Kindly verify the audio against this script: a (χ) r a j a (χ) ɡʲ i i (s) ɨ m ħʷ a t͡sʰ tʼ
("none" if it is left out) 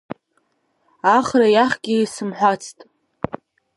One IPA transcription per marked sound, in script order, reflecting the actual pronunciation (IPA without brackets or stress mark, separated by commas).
χ, χ, s